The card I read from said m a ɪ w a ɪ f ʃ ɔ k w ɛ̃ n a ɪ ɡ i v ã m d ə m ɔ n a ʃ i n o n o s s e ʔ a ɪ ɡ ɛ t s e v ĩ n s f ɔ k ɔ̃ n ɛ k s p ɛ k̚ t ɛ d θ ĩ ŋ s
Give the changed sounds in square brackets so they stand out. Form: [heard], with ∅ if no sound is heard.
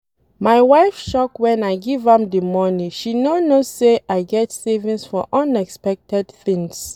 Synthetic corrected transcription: m a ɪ w a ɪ f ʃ ɔ k w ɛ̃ n a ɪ ɡ i v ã m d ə m ɔ n [i] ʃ i n o n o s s e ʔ a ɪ ɡ ɛ t s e v ĩ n s f ɔ [ʔ] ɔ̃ n ɛ k s p ɛ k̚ t ɛ d θ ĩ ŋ s